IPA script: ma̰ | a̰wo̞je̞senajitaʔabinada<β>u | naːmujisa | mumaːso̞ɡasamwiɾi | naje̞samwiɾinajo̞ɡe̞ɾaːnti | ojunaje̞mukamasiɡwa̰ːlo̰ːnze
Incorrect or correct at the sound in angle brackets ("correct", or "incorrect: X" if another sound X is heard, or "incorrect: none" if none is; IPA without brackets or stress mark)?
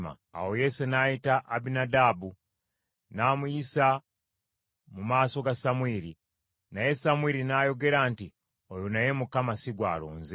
incorrect: b